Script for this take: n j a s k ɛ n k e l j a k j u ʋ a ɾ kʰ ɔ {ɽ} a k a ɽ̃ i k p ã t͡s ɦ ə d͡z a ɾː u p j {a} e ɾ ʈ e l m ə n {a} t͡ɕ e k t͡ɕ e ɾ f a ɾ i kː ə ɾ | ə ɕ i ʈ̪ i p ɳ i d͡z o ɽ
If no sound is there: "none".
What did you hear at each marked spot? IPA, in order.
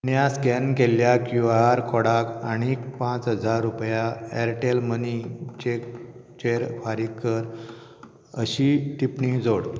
ɽ, a, i

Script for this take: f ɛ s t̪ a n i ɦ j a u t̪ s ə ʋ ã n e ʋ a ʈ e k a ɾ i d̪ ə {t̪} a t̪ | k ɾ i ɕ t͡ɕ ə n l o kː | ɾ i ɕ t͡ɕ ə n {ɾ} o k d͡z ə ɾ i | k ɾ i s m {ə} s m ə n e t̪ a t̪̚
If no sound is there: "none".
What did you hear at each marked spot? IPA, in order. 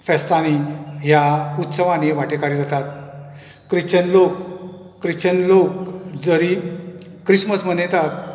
t̪, l, ə

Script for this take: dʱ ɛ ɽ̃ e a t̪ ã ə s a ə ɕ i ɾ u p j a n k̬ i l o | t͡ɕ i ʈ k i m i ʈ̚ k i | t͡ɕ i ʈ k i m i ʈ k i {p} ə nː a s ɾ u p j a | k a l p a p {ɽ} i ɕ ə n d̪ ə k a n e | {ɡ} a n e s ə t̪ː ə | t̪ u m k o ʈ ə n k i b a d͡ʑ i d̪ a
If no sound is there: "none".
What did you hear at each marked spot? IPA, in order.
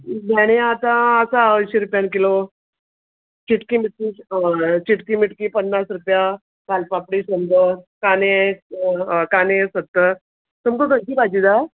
p, ɽ, k

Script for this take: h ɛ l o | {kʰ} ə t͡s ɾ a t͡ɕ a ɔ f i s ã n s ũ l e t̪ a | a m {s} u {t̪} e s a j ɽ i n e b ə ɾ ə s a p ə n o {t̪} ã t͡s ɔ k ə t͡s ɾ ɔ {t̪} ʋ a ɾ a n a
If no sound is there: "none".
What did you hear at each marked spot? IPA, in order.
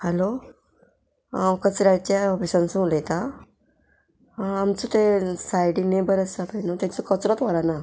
k, t͡s, t̪, t̪, t̪

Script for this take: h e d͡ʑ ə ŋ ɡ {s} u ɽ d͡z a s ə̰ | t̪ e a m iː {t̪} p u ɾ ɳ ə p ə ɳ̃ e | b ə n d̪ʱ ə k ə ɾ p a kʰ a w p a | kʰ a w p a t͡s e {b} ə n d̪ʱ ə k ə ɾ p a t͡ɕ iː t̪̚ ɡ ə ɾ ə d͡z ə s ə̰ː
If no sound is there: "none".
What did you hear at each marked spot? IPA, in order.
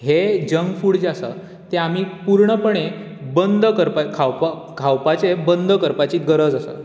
f, none, b

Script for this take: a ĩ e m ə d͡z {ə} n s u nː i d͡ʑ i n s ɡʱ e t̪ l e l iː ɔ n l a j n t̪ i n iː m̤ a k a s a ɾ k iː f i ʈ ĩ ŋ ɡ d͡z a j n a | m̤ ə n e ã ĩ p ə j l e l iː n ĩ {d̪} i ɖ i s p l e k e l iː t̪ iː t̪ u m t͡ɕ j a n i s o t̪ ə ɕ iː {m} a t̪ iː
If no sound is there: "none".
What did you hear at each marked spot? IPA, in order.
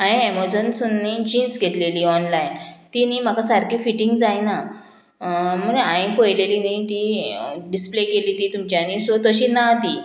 ə, t̪, n

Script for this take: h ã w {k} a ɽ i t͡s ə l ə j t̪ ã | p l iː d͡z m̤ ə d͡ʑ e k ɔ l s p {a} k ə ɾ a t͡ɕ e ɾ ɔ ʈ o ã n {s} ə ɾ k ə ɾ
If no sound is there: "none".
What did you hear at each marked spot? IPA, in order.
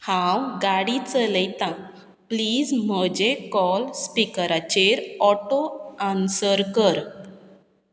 ɡ, i, s

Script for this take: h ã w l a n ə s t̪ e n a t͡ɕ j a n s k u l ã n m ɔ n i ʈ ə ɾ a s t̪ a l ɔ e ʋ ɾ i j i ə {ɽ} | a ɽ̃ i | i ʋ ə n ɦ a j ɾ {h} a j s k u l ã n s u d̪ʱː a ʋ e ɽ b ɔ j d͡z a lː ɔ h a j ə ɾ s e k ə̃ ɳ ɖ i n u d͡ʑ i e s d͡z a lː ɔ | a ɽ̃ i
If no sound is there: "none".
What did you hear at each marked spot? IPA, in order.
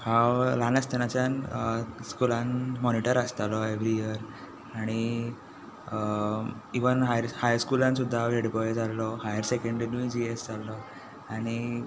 ɾ, h

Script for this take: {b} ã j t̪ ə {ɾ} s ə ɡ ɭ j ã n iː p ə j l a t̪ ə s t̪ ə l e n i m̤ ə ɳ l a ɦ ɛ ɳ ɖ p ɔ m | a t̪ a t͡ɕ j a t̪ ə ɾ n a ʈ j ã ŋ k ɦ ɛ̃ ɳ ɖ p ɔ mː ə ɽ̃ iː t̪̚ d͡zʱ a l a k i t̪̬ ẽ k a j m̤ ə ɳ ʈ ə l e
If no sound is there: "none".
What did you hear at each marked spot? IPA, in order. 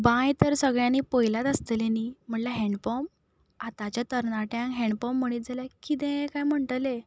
b, ɾ

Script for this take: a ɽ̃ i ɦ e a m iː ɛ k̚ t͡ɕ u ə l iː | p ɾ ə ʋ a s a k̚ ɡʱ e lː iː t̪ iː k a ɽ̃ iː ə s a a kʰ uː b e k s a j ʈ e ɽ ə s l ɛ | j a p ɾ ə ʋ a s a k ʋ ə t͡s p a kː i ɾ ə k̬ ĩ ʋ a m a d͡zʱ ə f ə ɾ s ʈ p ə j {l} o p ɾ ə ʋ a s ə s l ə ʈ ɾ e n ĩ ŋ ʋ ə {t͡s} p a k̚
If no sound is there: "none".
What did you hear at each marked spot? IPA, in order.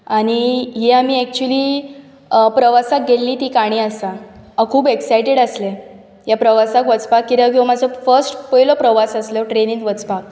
l, t͡s

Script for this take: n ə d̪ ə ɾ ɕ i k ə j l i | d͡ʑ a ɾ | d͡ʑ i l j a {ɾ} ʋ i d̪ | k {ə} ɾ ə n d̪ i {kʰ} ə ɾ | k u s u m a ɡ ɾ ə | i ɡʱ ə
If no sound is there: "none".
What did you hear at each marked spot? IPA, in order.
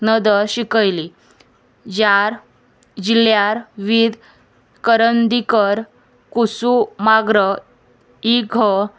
ɾ, ə, k

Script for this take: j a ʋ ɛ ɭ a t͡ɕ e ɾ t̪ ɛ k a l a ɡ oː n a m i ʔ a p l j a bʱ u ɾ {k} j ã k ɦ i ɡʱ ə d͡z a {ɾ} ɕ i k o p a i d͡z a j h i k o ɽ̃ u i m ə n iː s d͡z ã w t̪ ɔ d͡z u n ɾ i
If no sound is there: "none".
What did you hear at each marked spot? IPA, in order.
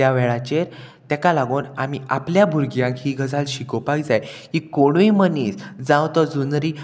ɡ, l

